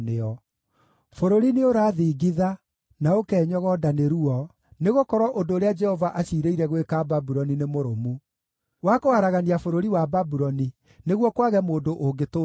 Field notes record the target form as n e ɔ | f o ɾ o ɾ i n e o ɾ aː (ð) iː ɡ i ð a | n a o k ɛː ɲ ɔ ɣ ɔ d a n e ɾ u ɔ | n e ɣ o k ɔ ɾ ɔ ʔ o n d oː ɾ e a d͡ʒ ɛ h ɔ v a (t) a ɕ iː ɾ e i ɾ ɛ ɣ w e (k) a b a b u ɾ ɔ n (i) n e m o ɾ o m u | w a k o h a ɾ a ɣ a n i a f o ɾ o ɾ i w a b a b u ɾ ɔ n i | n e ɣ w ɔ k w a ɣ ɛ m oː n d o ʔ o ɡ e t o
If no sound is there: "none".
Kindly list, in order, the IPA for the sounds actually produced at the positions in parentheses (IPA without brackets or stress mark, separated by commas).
ð, ʔ, k, i